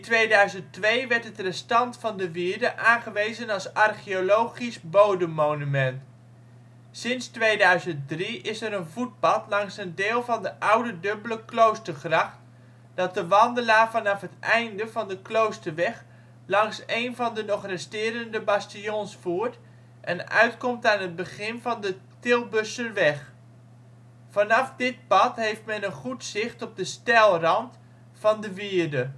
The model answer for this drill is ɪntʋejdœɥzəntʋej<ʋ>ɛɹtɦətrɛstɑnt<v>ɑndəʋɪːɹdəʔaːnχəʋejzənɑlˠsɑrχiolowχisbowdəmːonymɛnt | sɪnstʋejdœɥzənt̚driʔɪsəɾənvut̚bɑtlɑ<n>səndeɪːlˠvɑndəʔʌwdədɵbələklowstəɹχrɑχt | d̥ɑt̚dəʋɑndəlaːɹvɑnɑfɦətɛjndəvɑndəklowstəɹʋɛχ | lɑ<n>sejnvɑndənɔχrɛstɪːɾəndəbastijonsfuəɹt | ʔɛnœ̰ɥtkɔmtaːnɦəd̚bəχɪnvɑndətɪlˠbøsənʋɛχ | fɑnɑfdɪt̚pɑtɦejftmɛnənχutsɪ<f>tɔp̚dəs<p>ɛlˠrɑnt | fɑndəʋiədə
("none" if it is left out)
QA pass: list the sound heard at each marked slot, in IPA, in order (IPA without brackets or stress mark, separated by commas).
ʋ, f, ŋ, ŋ, χ, t